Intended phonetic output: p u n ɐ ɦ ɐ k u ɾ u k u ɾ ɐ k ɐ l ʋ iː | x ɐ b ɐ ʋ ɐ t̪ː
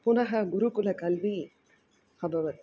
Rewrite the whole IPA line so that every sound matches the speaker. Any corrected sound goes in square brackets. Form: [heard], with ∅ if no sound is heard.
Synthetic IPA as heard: p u n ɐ ɦ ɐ [ɡ] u ɾ u k u [l] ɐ k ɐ l ʋ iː | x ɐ b ɐ ʋ ɐ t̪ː